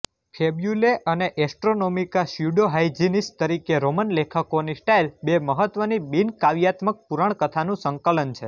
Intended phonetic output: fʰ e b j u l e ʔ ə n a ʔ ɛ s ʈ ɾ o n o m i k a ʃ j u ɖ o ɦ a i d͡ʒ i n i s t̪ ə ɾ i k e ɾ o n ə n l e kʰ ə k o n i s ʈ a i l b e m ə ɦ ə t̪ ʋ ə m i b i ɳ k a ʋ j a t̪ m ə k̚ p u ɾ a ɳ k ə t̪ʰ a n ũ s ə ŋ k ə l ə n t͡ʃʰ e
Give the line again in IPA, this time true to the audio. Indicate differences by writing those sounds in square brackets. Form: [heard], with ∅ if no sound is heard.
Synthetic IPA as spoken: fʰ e b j u l e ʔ ə n [e] ʔ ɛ s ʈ ɾ o n o m i k a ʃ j u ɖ o ɦ a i d͡ʒ i n i s t̪ ə ɾ i k e ɾ o [m] ə n l e kʰ ə k o n i s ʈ a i l b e m ə ɦ ə t̪ ʋ ə [n] i b i [n] k a ʋ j a t̪ m ə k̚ p u ɾ a ɳ k ə t̪ʰ a n ũ s ə ŋ k ə l ə n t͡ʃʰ e